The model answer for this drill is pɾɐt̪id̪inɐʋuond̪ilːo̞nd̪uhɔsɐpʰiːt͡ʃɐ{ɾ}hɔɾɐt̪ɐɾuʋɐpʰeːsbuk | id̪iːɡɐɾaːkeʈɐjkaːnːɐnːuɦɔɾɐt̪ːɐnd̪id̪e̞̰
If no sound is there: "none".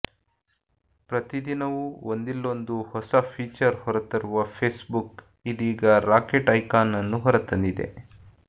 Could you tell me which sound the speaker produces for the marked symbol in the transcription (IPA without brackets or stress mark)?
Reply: ɾ